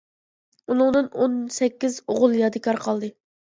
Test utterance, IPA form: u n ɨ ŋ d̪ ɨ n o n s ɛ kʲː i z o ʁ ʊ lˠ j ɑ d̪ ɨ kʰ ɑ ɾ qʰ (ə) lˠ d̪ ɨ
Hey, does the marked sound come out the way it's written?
no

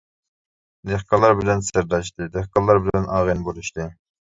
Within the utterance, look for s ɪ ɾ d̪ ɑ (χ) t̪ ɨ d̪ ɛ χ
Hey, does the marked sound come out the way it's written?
no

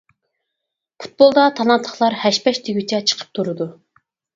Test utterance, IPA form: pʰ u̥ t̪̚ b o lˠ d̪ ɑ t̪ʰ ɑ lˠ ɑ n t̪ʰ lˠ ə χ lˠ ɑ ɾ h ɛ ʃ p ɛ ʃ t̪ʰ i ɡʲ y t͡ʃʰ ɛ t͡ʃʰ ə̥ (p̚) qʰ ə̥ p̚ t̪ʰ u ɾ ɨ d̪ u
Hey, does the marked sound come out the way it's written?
no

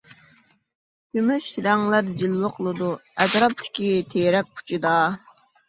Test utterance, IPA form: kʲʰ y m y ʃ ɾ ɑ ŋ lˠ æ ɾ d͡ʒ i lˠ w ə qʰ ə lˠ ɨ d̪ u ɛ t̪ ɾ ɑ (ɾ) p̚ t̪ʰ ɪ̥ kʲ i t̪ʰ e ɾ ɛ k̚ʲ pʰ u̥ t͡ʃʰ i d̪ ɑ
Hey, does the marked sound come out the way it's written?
no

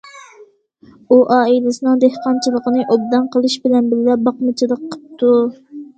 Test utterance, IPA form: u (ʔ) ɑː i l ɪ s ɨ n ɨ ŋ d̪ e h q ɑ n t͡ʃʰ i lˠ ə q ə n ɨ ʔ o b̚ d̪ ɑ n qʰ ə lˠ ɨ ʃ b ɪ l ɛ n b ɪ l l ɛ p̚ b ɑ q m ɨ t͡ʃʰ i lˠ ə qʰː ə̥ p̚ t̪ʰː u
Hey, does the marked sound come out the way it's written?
yes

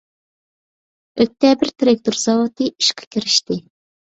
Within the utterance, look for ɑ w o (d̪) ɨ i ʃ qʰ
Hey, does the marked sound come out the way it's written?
no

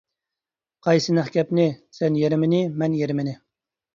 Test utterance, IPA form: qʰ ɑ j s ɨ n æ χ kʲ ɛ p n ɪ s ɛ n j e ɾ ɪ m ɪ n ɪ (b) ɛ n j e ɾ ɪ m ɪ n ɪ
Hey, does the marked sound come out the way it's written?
no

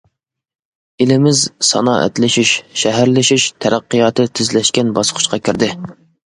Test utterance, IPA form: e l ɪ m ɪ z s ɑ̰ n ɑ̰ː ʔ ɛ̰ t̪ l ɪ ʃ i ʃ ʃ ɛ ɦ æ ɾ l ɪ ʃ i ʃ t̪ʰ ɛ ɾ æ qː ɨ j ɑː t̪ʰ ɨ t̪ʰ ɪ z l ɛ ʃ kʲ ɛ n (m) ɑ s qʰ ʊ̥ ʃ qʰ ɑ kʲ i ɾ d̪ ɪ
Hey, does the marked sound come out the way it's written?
no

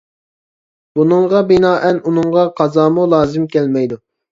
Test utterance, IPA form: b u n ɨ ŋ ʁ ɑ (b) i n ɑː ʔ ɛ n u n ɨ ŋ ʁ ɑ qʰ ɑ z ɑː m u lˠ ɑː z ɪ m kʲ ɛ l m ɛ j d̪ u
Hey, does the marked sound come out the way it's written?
yes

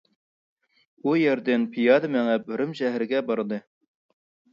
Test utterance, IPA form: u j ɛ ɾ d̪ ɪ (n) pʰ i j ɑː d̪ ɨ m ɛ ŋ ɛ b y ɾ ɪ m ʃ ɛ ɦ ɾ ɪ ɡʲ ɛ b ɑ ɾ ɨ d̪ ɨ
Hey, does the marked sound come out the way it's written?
yes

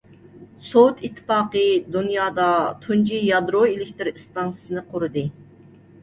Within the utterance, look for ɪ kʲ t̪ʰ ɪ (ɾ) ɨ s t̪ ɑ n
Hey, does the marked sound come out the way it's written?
yes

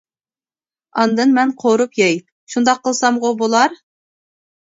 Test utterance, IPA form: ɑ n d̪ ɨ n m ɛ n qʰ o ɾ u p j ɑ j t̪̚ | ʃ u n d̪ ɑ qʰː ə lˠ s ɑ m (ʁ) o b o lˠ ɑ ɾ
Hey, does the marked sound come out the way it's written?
yes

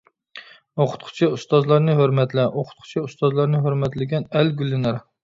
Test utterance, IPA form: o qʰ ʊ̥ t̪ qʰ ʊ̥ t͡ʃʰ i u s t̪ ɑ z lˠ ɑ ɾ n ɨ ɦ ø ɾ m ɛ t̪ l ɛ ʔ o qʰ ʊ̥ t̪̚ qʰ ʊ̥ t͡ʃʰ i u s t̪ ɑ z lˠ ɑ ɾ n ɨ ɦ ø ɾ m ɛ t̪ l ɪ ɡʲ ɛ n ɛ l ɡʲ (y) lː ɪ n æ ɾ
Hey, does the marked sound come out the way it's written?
yes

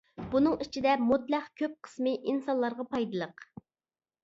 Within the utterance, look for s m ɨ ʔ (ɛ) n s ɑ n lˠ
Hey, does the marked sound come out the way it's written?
no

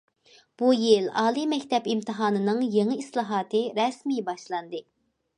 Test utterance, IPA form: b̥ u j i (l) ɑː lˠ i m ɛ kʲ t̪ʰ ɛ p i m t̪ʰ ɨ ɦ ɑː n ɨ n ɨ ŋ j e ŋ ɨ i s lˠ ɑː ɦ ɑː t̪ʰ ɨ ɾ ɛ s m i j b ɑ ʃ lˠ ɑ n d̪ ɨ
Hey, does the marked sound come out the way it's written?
yes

